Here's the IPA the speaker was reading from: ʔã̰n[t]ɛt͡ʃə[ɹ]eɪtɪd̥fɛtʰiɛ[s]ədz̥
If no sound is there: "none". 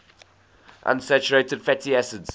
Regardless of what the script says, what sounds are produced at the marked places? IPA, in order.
s, ɹ, s

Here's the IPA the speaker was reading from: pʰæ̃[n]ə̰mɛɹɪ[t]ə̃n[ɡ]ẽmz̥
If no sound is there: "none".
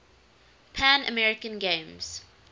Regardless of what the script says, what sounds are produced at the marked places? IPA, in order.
n, k, ɡ

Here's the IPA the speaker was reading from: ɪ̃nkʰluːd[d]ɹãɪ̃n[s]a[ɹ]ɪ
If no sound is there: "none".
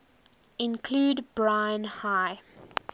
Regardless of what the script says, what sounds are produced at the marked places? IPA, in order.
b, h, none

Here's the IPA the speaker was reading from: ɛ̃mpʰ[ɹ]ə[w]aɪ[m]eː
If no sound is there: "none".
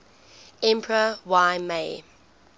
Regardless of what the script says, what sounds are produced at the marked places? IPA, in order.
ɹ, w, m

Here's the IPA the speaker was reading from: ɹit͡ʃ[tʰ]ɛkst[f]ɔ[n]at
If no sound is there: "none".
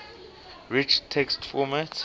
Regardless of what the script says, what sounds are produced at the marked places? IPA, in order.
tʰ, f, m

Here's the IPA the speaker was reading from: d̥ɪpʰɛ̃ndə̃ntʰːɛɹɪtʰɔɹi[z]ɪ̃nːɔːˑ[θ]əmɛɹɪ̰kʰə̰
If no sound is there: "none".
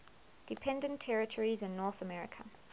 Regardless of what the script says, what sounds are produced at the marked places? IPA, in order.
z, θ

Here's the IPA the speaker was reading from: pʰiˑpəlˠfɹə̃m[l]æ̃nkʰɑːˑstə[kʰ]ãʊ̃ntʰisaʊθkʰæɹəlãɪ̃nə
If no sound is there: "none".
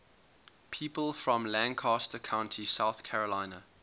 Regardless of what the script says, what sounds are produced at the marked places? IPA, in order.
l, kʰ

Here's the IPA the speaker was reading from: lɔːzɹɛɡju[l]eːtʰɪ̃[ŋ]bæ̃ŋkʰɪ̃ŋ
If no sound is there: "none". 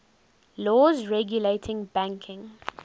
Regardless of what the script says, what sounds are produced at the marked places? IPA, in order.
l, ŋ

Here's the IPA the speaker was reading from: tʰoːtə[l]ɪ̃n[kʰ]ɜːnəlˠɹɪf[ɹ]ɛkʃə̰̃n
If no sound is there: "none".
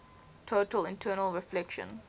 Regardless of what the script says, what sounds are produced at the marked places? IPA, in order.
l, tʰ, l

